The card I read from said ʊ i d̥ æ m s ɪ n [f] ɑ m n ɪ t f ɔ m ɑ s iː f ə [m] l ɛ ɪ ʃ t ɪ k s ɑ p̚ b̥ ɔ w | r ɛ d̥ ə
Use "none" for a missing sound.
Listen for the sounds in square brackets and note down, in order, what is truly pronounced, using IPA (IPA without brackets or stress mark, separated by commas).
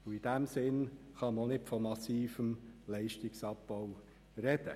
χ, m